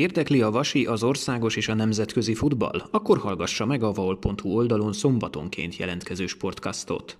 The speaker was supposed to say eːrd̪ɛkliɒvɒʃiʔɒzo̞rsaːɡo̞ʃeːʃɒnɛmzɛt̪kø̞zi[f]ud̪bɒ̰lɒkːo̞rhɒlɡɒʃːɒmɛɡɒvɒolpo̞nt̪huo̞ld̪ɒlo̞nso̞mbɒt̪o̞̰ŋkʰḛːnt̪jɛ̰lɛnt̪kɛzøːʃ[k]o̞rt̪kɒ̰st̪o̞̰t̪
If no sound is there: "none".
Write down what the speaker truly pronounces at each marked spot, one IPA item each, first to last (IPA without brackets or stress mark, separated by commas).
f, p